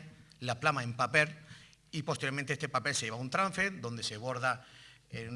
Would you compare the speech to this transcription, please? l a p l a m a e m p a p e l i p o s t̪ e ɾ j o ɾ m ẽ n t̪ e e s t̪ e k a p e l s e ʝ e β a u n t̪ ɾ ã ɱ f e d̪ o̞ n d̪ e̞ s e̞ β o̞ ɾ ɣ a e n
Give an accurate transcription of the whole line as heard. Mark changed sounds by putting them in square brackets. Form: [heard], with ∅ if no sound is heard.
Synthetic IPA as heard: l a p l a m a e m p a p e l i p o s t̪ e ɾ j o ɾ m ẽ n t̪ e e s t̪ e [p] a p e l s e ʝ e β a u n t̪ ɾ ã ɱ f e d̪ o̞ n d̪ e̞ s e̞ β o̞ ɾ [ð] a e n